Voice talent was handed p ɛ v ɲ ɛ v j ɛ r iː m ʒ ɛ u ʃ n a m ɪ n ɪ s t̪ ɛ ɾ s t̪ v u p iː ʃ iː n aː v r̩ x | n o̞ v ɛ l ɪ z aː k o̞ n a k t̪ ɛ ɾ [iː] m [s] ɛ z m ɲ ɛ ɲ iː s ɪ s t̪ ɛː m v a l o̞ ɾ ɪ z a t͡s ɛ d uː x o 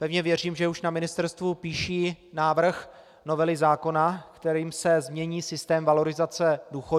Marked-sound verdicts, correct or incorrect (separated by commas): correct, correct